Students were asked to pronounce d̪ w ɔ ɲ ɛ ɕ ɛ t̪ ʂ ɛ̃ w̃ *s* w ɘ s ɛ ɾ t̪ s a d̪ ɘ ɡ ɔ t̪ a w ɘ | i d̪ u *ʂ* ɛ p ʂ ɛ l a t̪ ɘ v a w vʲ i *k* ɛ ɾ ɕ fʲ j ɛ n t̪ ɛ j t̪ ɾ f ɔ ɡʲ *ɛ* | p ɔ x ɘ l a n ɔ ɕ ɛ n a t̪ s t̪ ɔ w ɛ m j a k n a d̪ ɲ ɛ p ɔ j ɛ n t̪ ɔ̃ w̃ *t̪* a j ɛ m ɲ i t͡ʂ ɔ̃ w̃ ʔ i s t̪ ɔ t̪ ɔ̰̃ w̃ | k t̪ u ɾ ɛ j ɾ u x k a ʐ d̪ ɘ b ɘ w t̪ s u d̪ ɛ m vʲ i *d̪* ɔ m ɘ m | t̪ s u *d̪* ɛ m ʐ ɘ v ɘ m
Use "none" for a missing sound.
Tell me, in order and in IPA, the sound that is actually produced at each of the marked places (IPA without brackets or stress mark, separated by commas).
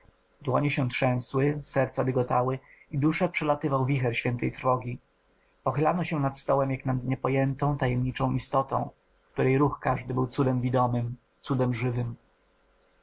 s, ʂ, x, i, t̪, d̪, d̪